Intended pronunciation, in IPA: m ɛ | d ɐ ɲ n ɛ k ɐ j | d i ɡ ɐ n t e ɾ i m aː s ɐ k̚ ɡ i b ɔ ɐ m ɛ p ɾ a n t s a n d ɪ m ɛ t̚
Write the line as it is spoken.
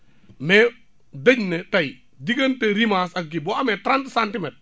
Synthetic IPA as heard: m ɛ | d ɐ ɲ n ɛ t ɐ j | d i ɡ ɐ n t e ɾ i m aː s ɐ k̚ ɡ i b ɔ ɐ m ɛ t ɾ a n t s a n t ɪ m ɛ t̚